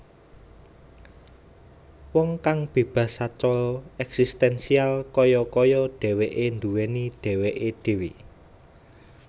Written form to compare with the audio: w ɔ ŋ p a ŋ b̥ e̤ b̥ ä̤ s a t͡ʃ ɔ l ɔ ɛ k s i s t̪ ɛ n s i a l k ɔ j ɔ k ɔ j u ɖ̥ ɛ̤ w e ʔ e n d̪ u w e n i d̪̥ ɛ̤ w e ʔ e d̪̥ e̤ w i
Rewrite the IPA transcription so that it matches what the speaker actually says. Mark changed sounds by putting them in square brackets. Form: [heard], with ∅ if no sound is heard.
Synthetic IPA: w ɔ ŋ [k] a ŋ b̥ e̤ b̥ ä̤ s a t͡ʃ ɔ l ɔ ɛ k s i s t̪ ɛ n s i a l k ɔ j ɔ k ɔ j [ɔ] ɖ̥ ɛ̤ w e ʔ e n d̪ u w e n i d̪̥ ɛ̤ w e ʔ e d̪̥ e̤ w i